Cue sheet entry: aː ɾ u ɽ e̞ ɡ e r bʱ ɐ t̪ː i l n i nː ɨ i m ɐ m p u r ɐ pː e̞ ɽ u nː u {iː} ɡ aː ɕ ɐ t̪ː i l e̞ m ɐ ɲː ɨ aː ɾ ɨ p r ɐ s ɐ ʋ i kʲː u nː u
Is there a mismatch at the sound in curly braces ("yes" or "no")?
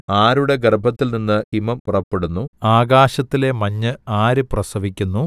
yes